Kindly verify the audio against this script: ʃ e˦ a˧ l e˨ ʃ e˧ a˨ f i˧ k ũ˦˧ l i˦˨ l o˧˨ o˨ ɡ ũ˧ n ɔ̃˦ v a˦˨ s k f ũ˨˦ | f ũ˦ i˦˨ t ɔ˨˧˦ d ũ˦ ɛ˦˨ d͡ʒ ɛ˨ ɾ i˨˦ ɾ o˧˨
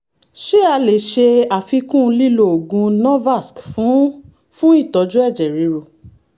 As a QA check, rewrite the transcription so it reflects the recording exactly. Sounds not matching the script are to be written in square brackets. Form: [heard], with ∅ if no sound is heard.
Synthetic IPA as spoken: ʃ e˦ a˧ l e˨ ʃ e˧ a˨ f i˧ k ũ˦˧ l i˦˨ l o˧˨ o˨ ɡ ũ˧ n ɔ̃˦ v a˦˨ s k f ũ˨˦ | f ũ˦ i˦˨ t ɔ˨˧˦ [d͡ʒ] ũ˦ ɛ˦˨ d͡ʒ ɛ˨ ɾ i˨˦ ɾ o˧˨